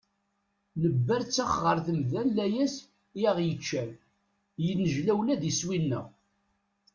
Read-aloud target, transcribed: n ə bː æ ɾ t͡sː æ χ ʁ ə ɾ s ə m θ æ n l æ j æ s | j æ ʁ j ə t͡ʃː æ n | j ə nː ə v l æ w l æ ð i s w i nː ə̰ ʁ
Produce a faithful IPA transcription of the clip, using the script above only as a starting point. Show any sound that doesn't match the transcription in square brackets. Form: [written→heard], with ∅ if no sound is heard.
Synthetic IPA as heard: n ə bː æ ɾ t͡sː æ χ ʁ ə ɾ [s→θ] ə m [θ→ð] æ n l æ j æ s | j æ ʁ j ə t͡ʃː æ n | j ə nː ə [v→ʒ] l æ w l æ ð i s w i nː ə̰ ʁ